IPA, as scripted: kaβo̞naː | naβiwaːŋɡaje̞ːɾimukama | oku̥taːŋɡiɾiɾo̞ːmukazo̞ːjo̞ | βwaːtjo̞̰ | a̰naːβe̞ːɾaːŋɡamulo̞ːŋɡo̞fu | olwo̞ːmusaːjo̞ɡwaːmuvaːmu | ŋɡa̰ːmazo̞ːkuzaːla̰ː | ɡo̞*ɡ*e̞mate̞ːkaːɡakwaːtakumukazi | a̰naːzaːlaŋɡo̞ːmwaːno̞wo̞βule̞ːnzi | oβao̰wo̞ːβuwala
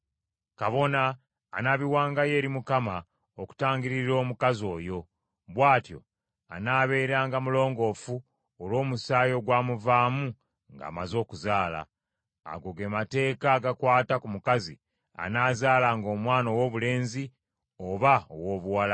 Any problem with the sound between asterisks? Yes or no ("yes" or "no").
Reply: no